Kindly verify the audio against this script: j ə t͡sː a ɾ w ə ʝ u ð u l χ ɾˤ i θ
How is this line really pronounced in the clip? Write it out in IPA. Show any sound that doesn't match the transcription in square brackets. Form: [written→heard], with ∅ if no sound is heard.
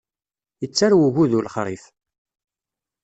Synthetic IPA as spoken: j ə t͡sː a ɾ w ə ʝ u ð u l χ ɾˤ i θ